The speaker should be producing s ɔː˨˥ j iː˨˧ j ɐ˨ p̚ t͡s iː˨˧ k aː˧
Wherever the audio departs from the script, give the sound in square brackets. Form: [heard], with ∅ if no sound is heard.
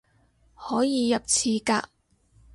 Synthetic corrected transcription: [h] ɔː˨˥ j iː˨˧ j ɐ˨ p̚ [t͡sʰ] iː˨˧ k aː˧